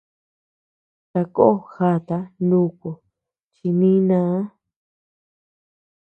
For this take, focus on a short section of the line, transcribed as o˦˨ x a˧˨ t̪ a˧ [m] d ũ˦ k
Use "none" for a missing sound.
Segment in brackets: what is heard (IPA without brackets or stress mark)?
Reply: n